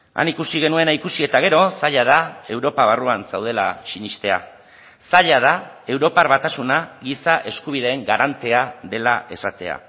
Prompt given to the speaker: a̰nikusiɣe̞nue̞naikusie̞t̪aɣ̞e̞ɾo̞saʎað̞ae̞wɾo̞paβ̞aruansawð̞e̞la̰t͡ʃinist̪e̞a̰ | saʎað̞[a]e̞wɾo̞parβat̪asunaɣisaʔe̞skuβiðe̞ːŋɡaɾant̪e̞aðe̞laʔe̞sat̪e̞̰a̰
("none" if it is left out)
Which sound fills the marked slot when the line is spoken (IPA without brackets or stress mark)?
a